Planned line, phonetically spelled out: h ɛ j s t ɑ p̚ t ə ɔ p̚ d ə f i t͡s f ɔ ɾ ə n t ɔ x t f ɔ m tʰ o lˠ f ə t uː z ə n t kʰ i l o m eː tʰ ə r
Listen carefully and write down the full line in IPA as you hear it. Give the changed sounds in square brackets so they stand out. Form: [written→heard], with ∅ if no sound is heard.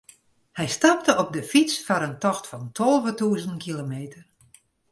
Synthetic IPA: h ɛ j s t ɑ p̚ t ə ɔ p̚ d ə f i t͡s f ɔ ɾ ə n t ɔ x t f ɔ [m→n] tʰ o lˠ [f→v] ə t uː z ə n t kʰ i l o m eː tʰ ə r